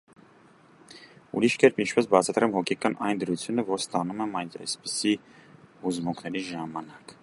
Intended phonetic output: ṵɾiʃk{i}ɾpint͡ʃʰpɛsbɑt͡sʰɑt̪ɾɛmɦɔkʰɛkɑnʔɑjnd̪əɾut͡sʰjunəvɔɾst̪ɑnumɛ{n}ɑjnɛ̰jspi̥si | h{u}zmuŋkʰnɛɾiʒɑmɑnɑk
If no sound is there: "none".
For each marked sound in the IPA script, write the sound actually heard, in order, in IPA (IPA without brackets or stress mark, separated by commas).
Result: ɛ, m, u